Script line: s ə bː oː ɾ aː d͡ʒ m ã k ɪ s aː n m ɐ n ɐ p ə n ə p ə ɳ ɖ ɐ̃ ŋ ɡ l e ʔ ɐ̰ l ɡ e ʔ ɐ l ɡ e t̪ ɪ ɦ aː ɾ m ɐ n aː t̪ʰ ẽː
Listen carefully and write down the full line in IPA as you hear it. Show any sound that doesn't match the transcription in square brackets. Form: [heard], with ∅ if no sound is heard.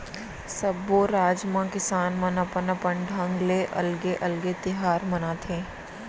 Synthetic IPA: s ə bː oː ɾ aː d͡ʒ m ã k ɪ s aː n m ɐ n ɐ p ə n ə p ə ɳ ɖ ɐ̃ ŋ ɡ l e ʔ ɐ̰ l ɡ e ʔ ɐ l ɡ e t̪ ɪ ɦ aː ɾ m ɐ n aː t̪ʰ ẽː